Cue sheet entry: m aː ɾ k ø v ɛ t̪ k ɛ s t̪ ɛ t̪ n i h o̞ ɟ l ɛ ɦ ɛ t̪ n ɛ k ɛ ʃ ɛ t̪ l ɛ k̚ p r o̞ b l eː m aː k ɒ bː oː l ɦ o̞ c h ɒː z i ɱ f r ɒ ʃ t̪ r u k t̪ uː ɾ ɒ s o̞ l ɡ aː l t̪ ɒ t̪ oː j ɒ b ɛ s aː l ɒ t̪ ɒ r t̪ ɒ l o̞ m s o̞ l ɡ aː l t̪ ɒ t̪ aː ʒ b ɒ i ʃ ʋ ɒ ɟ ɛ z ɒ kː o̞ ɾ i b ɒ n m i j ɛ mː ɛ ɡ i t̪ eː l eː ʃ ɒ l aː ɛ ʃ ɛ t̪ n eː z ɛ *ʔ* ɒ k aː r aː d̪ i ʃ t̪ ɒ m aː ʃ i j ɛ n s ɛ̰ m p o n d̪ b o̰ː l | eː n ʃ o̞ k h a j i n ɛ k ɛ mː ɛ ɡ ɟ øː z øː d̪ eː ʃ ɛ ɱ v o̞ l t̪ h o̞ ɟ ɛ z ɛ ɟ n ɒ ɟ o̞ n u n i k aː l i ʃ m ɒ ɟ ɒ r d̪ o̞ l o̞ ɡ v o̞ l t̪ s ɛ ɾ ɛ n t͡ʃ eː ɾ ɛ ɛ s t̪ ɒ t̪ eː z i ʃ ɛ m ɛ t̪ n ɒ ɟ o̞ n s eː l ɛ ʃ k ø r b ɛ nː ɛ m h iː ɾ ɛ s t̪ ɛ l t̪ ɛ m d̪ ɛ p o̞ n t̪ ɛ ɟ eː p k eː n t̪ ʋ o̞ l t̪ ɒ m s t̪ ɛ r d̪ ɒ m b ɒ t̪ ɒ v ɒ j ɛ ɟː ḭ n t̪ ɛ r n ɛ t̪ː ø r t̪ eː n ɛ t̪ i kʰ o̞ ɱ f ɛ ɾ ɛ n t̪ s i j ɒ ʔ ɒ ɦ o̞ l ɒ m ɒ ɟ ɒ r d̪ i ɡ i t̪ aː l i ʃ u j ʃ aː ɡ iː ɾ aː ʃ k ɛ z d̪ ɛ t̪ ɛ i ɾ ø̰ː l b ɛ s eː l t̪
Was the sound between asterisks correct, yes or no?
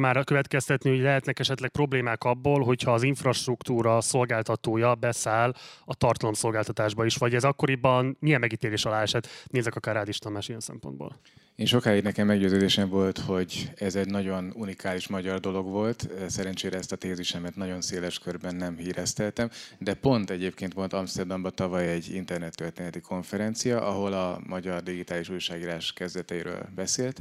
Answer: no